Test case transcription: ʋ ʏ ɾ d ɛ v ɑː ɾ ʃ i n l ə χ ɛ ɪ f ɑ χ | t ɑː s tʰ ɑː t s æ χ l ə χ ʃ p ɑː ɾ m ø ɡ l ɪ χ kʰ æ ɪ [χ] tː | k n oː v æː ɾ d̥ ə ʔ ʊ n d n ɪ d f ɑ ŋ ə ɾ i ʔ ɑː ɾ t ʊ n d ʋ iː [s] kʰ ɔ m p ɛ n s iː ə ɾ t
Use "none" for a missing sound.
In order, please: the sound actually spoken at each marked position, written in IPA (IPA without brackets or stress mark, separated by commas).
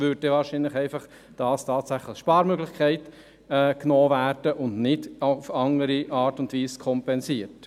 none, s